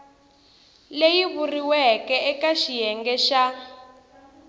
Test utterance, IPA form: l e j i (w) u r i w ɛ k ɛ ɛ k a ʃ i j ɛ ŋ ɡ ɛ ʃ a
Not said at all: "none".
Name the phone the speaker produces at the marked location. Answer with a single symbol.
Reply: β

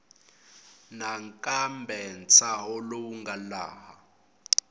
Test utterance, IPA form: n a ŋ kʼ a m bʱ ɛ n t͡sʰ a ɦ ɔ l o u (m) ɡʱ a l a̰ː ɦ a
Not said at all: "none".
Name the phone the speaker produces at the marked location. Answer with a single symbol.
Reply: ŋ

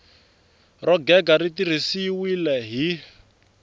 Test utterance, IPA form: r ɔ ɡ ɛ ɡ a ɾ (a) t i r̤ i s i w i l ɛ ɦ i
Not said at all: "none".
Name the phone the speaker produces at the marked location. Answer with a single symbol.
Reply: i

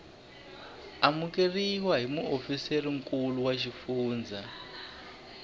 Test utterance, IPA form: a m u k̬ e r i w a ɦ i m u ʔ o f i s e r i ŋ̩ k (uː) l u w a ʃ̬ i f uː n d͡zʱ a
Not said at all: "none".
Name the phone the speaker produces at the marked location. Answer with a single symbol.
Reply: u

